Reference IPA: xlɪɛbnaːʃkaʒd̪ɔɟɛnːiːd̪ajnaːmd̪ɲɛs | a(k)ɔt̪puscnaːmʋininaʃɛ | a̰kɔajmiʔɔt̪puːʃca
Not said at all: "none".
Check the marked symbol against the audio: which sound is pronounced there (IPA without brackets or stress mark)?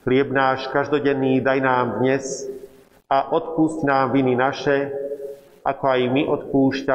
ʔ